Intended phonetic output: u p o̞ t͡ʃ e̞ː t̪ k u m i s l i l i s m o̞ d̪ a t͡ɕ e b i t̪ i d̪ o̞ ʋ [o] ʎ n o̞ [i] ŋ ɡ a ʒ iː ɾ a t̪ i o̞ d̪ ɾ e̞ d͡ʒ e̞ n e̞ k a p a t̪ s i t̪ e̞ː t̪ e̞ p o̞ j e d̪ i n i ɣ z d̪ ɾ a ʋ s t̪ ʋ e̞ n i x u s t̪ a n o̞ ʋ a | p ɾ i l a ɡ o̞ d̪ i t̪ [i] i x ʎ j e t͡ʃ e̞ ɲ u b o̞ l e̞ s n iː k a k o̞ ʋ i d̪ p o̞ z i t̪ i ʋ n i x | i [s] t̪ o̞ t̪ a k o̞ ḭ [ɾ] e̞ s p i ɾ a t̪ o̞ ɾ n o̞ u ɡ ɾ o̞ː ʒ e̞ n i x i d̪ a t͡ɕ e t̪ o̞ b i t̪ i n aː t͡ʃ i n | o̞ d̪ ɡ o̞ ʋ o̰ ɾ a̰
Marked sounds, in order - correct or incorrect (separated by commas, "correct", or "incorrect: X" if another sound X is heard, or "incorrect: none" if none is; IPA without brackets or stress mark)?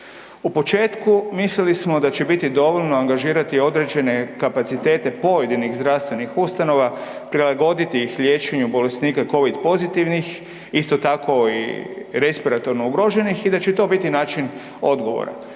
correct, incorrect: a, correct, correct, correct